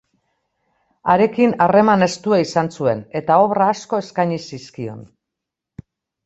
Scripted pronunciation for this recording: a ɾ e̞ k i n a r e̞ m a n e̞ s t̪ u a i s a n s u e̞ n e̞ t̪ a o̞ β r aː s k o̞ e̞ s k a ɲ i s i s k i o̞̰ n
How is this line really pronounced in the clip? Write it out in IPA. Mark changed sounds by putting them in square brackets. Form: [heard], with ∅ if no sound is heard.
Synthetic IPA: a ɾ e̞ k i n a r e̞ m a n e̞ s t̪ u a i s a n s u e̞ n e̞ t̪ a o̞ β r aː s k o̞ e̞ s k a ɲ i s i s k i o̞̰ n